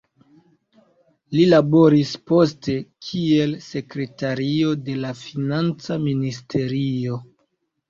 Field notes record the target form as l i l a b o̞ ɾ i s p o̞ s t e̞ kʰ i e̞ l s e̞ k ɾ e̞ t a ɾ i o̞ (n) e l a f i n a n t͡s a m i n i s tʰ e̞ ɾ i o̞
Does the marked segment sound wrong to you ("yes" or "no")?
yes